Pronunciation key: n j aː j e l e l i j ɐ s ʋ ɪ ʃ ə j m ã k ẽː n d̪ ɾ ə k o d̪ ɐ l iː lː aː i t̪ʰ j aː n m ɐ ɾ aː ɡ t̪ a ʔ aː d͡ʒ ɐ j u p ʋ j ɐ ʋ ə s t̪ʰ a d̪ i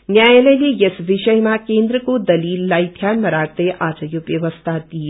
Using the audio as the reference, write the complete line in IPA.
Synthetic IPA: n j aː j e l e l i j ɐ s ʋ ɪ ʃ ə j m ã k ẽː n d̪ ɾ ə k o d̪ ɐ l iː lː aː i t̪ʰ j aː n m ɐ ɾ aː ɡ t̪ e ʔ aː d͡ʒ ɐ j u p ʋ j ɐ ʋ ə s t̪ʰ a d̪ i